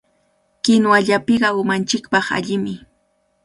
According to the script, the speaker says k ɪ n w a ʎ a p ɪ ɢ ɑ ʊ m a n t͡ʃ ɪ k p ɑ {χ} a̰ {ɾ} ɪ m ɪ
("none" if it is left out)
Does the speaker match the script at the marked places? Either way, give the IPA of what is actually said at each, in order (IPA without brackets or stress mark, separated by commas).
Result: χ, ʎ